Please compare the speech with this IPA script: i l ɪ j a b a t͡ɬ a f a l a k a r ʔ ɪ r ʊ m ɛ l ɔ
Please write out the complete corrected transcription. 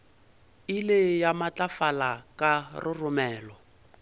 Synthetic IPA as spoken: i l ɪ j a m a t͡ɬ a f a l a k a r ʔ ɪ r ʊ m ɛː l ɔ